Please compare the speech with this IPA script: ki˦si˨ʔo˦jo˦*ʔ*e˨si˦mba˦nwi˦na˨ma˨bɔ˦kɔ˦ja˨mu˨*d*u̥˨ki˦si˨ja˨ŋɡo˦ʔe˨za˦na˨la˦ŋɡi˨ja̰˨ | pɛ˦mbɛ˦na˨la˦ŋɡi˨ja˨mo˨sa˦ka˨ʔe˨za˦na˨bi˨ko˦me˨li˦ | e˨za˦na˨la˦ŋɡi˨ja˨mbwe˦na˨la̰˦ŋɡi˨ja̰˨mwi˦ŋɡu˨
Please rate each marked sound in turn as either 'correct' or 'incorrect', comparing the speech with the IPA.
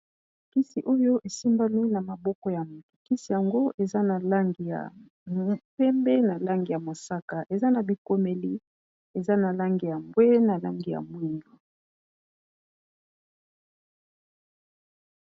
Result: correct, incorrect: t

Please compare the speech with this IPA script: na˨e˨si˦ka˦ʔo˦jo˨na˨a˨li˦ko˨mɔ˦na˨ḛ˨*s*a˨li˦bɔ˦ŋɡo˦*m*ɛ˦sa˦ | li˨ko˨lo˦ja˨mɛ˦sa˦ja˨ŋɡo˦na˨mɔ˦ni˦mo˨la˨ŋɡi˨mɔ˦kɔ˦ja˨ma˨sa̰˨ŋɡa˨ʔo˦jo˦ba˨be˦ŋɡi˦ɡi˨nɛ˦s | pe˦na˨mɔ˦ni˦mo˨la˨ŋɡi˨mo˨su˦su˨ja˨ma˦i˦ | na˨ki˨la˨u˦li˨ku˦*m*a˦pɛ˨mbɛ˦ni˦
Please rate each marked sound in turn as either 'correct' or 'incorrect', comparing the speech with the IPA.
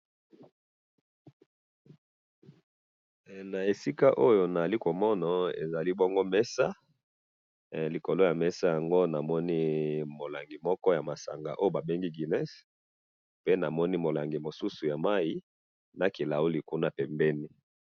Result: incorrect: z, correct, incorrect: n

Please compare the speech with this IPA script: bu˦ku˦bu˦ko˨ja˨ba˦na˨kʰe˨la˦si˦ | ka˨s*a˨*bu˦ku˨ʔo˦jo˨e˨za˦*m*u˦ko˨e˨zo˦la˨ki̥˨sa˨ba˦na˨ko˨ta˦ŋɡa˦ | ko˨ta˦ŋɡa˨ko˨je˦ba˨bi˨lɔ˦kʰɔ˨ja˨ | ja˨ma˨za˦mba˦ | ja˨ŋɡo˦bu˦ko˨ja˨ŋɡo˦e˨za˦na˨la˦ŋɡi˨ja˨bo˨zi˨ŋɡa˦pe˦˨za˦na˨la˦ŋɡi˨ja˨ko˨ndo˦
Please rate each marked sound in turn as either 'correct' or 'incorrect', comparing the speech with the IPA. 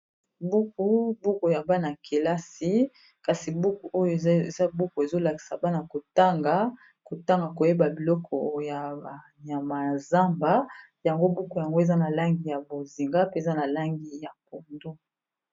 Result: incorrect: i˨, incorrect: b

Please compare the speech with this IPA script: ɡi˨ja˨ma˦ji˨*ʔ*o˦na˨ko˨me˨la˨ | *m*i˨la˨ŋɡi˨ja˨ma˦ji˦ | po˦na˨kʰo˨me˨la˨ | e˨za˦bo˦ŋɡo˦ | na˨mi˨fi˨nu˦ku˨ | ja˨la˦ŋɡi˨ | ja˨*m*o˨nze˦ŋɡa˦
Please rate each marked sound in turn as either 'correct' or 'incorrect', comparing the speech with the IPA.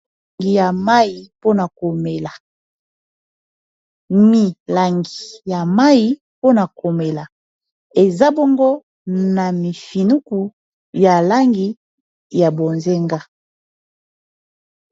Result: incorrect: p, correct, incorrect: b

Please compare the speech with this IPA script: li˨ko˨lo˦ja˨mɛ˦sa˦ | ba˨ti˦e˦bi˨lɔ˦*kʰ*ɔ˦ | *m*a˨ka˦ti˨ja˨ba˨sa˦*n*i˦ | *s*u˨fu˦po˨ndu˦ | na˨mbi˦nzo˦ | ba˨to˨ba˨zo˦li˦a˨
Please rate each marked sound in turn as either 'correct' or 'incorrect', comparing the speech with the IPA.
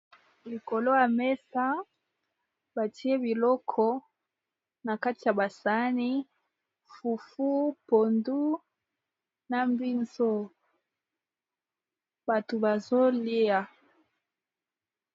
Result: correct, incorrect: n, correct, incorrect: f

